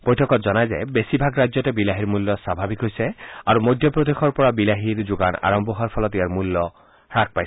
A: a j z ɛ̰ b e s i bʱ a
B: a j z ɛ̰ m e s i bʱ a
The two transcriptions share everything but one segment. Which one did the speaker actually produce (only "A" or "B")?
A